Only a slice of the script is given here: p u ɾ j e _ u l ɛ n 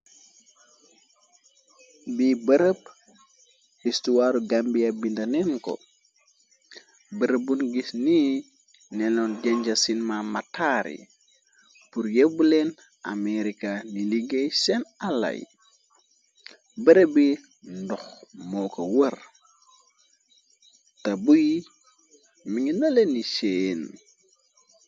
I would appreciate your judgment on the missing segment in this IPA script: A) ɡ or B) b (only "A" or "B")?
B